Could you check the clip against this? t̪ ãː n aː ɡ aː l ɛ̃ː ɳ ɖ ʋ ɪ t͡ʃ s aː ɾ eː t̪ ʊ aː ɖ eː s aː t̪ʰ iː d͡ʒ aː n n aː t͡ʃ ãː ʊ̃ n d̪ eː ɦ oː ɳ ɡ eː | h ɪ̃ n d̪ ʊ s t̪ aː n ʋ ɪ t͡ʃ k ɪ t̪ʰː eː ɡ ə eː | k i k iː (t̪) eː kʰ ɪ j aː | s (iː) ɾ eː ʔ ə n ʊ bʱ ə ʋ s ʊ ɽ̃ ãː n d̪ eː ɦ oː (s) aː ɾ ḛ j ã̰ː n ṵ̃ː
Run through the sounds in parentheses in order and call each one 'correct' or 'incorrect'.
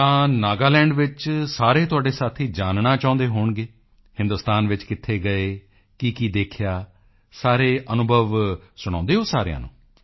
incorrect, incorrect, correct

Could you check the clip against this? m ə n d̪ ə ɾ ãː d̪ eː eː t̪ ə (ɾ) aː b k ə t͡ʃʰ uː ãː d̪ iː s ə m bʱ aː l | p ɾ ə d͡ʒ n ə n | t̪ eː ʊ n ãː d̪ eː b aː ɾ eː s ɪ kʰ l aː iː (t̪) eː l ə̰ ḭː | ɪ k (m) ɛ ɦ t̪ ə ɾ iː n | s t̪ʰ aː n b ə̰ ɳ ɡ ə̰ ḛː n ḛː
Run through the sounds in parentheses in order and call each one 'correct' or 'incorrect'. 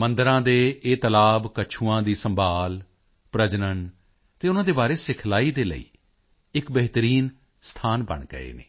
incorrect, incorrect, incorrect

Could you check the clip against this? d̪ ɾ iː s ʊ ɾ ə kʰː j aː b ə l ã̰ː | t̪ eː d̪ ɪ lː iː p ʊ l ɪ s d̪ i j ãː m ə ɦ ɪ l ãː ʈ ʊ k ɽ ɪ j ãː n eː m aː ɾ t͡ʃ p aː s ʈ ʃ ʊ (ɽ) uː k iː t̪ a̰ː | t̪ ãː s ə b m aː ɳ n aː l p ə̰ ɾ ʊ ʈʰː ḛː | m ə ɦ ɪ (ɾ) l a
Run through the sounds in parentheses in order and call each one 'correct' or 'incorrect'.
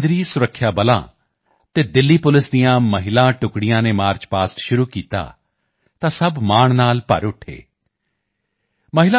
incorrect, incorrect

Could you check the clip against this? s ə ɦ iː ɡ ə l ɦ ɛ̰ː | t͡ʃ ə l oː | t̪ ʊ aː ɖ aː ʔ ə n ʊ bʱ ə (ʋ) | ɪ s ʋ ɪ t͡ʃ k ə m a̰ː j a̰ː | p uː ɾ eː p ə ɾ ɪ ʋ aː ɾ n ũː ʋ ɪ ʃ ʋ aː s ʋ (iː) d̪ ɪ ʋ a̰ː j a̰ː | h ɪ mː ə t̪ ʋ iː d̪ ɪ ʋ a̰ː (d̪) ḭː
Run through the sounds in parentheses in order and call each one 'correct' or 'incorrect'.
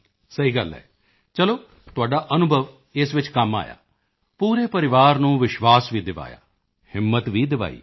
correct, correct, incorrect

